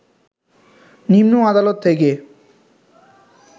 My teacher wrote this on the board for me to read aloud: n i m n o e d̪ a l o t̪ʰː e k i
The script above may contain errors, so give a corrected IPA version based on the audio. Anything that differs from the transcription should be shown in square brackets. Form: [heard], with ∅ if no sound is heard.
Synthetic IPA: n i m n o [a] d̪ a l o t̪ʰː e k [e]